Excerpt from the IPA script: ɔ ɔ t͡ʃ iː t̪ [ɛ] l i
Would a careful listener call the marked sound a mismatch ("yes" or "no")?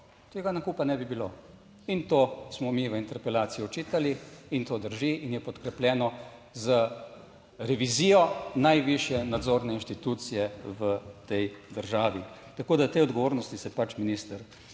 yes